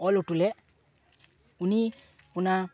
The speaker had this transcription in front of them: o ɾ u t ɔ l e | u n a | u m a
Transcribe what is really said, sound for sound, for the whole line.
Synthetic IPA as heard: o l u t u l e | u n i | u n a